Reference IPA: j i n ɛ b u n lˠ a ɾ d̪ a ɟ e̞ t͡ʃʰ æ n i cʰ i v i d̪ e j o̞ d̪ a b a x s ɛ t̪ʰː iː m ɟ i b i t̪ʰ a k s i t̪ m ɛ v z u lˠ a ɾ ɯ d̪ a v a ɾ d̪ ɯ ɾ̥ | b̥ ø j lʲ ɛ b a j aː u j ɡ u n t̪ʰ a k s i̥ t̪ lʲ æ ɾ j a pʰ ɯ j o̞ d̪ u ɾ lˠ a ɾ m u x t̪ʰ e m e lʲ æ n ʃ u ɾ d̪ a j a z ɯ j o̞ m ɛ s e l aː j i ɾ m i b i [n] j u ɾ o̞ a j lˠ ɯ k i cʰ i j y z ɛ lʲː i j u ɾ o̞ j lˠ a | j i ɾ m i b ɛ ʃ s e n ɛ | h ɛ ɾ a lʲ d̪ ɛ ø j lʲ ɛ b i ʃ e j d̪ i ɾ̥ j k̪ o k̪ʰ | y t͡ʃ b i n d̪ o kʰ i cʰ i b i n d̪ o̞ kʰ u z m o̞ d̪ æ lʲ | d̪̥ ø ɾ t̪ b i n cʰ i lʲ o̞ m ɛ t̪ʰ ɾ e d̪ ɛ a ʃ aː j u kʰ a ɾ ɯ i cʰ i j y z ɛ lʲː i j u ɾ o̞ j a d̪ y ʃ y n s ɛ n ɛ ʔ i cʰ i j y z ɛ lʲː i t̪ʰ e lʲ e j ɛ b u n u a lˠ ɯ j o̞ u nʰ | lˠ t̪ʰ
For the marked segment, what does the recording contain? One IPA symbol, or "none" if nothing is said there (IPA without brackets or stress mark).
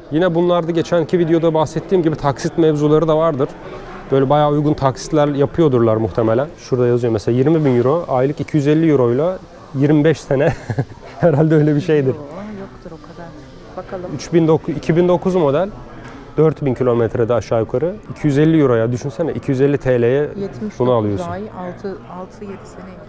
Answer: n